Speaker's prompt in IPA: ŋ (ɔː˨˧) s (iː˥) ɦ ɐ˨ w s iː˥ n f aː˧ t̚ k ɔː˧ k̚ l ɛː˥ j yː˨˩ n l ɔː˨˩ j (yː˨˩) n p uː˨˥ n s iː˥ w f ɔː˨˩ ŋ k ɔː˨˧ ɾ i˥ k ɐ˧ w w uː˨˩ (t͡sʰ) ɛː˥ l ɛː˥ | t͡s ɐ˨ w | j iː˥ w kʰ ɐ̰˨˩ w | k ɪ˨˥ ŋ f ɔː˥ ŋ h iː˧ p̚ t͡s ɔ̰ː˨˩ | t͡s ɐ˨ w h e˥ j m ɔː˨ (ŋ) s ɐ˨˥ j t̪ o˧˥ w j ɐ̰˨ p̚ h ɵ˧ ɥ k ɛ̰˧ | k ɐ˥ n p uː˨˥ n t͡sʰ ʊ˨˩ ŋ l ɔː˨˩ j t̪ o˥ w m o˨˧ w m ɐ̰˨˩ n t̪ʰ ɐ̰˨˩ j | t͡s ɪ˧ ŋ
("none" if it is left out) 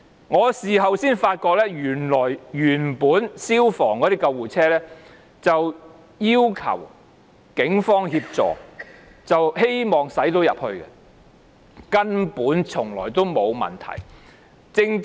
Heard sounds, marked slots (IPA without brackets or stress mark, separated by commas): ɔː˨˧, iː˨, yː˨˩, t͡sʰ, ŋ